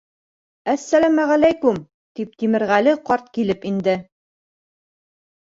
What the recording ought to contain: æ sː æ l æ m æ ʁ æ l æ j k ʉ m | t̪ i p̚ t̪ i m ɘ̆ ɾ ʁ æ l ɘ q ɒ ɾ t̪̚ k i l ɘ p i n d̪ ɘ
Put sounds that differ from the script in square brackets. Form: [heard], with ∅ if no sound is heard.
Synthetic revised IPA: æ sː æ l æ m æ ʁ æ l æ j k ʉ m | t̪ i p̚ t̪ i m ɘ̆ ɾ ʁ æ l ɘ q ɒ ɾ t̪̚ k i l ɘ p i n d̪ ɘ